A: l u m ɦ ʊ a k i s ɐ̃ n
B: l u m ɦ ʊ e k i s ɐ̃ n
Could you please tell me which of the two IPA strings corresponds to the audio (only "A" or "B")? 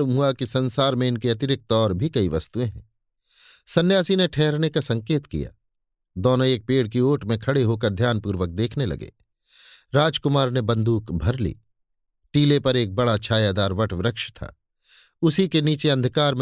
A